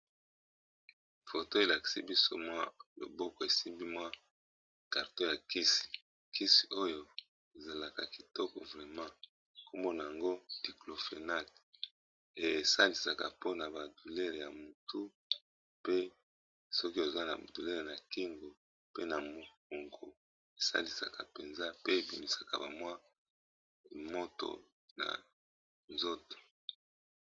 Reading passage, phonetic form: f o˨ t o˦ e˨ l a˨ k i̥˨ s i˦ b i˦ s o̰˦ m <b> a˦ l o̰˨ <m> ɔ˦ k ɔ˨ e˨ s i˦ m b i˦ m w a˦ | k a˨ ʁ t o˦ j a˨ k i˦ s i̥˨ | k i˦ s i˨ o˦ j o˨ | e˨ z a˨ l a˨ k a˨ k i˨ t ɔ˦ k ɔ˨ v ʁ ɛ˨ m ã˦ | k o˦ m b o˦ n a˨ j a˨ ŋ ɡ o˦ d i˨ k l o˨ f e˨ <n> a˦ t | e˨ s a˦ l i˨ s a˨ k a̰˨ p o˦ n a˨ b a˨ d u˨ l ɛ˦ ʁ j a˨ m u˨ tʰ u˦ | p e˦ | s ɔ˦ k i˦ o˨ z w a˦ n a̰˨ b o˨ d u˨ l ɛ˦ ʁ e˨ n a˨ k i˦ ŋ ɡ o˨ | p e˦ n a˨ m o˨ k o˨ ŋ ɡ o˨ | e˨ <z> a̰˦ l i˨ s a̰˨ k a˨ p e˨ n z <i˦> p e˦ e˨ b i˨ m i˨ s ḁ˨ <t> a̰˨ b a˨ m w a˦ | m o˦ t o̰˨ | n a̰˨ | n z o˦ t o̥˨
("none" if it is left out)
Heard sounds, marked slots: w, b, n, s, a˦, k

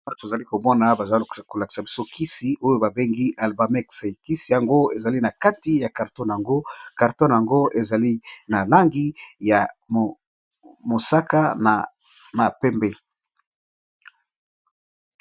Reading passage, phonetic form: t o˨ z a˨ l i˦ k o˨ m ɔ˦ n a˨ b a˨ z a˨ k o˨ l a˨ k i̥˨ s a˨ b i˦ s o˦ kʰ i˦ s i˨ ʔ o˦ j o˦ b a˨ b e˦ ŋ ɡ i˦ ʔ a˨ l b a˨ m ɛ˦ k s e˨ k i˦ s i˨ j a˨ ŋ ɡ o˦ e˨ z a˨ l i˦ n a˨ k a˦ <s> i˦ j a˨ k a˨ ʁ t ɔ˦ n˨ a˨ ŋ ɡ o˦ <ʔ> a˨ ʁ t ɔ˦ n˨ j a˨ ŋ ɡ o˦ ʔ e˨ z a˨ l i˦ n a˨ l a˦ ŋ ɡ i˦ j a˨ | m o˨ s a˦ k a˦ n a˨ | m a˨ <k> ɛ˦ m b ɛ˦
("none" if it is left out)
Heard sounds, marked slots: t, k, p

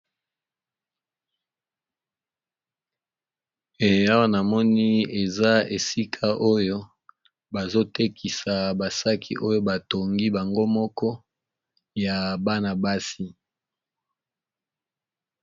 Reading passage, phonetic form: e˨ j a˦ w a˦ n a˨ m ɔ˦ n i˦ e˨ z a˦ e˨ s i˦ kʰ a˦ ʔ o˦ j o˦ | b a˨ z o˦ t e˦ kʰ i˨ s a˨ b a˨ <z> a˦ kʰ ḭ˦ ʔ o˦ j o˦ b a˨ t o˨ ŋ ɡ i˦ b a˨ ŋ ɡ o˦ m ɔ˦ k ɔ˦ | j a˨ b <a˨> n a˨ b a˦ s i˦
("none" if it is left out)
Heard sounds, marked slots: s, a˦

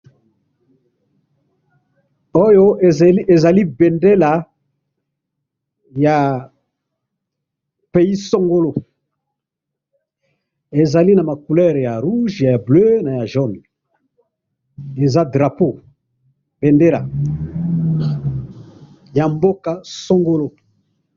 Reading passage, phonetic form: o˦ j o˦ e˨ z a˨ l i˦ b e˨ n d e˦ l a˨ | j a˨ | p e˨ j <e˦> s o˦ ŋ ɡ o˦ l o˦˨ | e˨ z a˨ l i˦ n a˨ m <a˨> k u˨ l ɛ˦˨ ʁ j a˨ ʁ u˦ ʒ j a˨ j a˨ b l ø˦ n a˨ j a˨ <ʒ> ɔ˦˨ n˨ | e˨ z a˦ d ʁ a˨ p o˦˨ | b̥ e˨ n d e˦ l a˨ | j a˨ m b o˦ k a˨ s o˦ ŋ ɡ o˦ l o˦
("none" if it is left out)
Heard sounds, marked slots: i˦, a˨, ʒ

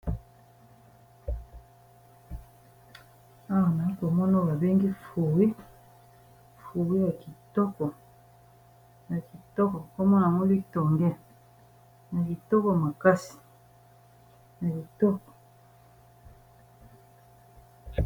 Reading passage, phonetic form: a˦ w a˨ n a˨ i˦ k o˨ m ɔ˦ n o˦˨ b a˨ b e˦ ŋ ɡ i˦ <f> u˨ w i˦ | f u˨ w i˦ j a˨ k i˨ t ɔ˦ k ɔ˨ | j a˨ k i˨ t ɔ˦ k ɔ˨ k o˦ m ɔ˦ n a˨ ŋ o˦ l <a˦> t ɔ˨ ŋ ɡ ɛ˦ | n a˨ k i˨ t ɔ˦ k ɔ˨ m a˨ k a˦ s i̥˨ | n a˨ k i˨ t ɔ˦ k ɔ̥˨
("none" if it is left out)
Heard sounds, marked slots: f, i˦

